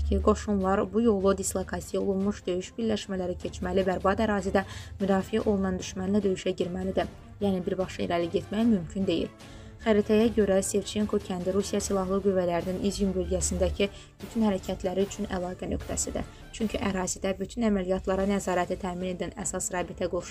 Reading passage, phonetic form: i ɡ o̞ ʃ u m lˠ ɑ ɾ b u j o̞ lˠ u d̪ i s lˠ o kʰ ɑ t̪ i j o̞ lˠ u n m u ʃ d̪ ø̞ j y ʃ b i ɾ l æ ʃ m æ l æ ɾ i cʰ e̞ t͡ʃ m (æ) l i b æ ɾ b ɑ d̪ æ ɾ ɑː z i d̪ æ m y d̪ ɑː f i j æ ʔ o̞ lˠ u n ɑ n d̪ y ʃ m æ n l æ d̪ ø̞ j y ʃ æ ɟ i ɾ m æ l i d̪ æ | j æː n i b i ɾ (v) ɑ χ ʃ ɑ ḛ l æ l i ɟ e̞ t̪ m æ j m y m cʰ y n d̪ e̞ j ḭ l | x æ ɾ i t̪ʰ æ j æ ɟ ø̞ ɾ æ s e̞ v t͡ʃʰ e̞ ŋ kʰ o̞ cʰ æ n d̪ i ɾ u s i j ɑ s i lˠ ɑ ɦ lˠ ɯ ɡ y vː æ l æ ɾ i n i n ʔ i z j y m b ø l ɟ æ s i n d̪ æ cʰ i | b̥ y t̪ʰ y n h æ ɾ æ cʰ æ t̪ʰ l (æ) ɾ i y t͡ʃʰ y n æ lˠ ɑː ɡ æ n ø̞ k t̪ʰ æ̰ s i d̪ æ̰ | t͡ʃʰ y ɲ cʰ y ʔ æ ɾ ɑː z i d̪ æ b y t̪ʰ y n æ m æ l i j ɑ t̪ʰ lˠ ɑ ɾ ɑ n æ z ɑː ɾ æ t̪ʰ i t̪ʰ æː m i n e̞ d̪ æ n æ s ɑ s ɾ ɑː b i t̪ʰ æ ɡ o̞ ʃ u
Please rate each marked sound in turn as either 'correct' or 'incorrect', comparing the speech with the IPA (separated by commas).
correct, incorrect, correct